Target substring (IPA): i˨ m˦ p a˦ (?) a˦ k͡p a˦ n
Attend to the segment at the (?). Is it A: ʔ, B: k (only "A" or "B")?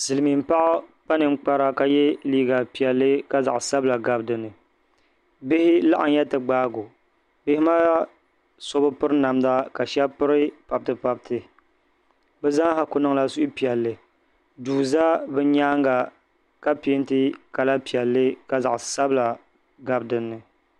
A